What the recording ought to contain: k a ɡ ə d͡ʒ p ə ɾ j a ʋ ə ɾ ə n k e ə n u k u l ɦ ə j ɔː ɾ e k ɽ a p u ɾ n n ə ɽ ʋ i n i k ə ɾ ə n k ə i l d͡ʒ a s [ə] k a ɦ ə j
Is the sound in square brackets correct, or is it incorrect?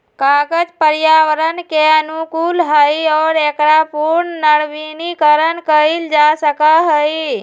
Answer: correct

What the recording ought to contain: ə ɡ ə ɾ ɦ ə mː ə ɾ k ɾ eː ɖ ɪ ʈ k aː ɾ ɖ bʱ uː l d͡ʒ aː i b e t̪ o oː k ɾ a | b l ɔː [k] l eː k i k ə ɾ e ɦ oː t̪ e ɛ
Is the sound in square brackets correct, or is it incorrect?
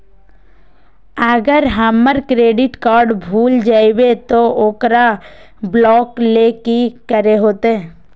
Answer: correct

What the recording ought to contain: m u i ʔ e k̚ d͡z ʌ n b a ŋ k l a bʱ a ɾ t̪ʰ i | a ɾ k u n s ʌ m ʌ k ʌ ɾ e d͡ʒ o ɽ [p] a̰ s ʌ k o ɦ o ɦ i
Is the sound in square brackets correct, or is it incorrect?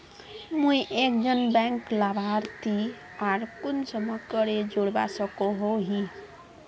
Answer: incorrect: b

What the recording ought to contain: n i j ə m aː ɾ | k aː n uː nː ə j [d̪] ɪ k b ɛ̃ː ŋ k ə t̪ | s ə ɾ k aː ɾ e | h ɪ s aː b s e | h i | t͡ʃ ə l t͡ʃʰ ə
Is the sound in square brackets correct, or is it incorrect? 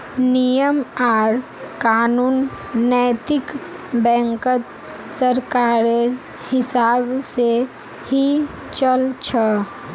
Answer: incorrect: t̪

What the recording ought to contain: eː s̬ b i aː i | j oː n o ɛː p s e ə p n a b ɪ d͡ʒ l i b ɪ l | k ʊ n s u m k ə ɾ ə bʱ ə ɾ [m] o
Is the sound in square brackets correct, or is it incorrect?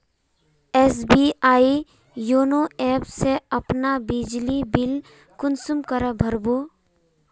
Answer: incorrect: b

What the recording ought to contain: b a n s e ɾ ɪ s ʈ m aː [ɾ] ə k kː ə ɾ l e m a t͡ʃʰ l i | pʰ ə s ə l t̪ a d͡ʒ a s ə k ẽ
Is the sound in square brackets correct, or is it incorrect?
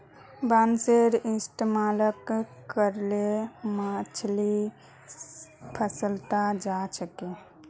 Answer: incorrect: l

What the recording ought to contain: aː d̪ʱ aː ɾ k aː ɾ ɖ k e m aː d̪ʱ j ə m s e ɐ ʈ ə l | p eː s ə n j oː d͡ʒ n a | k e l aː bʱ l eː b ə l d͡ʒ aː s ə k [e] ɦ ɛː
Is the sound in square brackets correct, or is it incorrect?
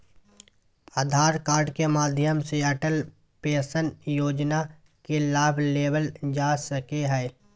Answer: correct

